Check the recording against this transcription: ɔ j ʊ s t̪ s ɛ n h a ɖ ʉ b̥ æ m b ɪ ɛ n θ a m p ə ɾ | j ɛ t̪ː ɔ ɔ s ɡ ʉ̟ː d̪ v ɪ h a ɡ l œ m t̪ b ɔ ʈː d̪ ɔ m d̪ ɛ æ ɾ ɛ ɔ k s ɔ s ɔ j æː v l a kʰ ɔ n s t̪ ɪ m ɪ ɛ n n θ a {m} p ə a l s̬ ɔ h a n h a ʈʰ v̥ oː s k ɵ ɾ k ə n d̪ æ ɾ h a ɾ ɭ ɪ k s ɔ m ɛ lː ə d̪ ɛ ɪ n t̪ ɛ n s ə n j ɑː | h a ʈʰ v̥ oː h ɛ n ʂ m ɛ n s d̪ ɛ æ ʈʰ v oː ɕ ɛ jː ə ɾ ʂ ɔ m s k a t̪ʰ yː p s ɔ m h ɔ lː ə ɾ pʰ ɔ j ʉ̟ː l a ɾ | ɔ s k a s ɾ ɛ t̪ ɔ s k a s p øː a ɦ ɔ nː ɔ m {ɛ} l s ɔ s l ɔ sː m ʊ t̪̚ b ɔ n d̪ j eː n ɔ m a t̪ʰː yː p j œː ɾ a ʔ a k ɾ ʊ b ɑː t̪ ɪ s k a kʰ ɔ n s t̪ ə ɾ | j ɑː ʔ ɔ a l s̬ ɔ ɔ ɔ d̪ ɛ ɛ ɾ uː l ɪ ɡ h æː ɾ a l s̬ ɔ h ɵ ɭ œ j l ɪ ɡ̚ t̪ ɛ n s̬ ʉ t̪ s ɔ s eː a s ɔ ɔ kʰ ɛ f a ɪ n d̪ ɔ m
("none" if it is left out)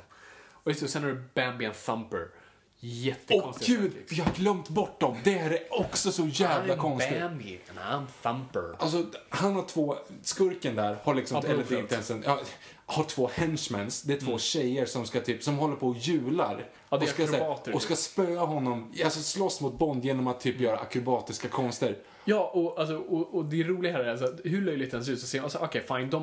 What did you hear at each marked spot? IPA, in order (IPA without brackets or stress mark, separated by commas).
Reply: m, a